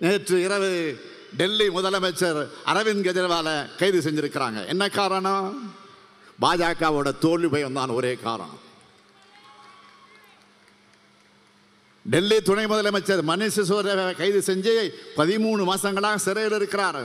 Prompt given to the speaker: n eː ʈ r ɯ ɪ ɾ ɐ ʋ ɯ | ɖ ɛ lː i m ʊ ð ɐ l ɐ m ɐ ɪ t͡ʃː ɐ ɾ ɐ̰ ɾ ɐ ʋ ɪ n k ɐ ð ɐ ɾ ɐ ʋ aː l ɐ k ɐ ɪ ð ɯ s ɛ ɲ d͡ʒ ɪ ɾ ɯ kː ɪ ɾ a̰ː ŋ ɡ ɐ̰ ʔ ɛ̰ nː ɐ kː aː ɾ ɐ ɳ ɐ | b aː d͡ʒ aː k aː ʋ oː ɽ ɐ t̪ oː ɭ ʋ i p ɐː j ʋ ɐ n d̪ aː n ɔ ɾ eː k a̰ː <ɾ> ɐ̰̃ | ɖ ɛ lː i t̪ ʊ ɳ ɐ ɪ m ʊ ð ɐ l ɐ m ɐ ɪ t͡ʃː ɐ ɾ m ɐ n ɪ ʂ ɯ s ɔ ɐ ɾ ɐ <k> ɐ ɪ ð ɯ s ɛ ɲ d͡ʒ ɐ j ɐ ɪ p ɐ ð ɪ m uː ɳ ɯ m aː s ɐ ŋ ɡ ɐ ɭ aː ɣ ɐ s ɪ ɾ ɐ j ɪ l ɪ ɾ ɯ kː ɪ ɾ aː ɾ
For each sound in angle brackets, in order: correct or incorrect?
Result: correct, correct

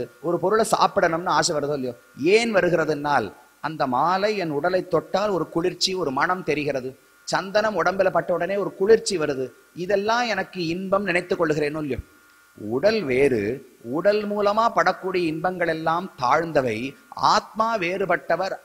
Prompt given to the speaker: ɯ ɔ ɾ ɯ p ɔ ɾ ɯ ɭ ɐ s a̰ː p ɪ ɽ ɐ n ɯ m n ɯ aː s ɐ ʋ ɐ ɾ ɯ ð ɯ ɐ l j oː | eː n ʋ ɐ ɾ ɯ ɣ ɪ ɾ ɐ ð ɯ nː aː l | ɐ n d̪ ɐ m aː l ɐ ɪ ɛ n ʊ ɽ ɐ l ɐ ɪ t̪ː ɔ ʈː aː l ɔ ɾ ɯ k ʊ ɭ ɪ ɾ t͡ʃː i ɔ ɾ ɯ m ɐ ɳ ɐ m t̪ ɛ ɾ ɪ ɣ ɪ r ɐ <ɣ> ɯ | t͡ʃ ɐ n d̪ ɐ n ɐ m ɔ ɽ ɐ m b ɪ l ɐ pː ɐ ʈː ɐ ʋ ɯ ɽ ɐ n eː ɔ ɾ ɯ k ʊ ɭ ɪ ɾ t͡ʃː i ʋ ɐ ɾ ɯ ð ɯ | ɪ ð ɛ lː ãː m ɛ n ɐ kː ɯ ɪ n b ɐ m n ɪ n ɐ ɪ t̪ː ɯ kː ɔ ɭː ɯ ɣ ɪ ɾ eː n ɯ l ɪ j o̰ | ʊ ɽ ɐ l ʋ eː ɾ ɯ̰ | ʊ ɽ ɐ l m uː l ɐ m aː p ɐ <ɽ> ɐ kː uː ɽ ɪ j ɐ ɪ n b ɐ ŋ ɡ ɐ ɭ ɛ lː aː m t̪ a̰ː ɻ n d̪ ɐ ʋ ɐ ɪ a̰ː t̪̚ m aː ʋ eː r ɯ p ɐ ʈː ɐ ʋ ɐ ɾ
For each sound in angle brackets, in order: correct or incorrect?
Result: incorrect, correct

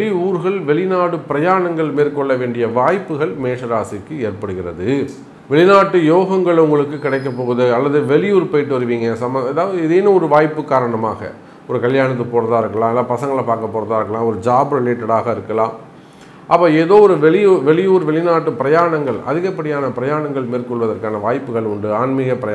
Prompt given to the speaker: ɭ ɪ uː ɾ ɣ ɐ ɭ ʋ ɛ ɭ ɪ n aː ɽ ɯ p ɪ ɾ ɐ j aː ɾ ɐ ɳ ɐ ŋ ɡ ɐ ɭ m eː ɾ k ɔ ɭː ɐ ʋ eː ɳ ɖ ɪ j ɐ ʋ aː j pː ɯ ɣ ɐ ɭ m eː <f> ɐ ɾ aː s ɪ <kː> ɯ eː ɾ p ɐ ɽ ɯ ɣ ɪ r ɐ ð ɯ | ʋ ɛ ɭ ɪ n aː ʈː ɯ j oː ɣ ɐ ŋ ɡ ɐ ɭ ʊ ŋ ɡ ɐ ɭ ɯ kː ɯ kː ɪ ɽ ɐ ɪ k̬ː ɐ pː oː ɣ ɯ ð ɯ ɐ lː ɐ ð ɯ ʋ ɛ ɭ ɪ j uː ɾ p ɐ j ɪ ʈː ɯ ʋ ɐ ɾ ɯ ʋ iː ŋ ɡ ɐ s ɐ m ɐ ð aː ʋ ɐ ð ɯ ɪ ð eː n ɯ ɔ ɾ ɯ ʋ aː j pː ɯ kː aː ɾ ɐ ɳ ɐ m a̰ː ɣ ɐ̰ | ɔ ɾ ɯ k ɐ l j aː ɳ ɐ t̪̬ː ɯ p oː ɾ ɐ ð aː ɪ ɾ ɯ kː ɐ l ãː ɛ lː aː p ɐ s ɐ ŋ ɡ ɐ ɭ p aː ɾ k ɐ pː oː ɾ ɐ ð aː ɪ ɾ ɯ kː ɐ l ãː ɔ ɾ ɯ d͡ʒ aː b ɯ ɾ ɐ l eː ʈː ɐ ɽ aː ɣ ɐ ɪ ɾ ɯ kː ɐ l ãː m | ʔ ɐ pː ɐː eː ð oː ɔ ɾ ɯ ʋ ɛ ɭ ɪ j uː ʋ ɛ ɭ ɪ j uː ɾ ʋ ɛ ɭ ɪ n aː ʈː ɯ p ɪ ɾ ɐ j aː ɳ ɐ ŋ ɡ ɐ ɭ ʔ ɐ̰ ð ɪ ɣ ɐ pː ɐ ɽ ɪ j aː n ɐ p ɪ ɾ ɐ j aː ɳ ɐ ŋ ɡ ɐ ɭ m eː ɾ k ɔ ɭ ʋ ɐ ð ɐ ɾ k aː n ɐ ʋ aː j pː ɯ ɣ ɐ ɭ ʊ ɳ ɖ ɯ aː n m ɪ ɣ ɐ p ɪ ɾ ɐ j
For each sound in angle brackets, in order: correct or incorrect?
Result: incorrect, correct

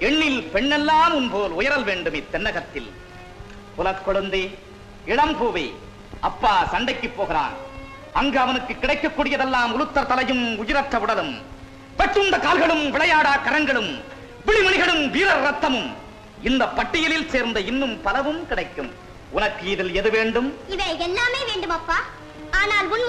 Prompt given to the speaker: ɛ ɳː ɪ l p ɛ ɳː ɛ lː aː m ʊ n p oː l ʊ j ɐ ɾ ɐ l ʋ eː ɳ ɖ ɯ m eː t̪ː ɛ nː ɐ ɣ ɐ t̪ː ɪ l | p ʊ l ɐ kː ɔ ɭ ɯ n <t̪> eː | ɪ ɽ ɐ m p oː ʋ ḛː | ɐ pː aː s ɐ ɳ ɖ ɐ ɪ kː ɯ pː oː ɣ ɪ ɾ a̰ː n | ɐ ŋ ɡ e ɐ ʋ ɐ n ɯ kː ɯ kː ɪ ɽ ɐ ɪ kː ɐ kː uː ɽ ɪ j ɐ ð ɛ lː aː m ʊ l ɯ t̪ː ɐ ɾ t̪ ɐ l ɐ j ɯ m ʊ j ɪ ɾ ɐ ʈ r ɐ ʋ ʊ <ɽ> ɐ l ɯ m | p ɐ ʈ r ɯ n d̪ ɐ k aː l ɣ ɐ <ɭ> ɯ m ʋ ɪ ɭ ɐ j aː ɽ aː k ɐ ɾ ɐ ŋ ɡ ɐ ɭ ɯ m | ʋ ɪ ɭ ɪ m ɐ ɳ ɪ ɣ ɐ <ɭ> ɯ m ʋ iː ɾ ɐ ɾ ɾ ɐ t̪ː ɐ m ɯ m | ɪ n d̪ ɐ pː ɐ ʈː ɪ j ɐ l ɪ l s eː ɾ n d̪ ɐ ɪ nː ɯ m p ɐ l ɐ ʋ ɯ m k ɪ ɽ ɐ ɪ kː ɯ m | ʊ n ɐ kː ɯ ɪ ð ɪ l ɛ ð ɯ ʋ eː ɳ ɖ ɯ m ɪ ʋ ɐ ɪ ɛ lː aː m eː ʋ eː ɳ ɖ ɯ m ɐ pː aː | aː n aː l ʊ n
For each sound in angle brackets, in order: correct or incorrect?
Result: incorrect, correct, correct, correct

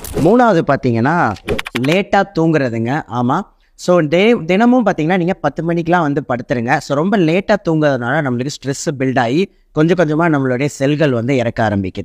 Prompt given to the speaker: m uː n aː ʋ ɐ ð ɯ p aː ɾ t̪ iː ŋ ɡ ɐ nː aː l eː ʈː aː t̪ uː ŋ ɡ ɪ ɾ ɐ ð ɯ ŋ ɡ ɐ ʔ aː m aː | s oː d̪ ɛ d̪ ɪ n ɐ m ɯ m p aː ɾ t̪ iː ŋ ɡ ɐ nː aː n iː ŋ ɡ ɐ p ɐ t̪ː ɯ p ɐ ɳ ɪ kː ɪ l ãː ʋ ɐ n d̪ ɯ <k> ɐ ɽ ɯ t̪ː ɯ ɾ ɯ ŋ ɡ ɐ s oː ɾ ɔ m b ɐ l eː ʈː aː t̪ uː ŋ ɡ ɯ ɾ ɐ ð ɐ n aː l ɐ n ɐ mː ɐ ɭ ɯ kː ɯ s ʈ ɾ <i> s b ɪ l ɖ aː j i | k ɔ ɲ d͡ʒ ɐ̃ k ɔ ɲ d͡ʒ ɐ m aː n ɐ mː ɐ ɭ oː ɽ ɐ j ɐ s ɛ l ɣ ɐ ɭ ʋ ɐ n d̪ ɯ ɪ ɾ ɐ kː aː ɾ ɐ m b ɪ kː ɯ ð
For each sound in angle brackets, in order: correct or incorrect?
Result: incorrect, incorrect

